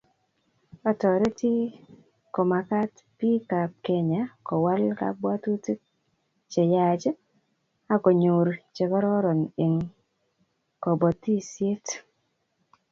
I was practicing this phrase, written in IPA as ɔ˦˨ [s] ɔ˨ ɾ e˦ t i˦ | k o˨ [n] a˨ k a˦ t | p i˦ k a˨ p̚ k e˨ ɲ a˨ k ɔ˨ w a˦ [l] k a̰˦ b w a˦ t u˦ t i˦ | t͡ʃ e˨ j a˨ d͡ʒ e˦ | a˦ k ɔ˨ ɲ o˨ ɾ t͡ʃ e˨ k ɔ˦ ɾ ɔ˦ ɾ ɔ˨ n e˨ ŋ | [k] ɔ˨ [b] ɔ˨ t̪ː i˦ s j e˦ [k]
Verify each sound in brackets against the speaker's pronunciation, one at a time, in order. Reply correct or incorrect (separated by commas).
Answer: incorrect, incorrect, correct, correct, correct, incorrect